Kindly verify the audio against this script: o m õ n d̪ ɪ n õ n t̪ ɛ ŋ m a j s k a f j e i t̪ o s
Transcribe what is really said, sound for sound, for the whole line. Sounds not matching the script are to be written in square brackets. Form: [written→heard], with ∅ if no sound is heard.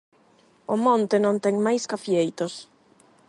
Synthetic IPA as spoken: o m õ n [d̪→t̪] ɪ n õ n t̪ ɛ ŋ m a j s k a f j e [i→j] t̪ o s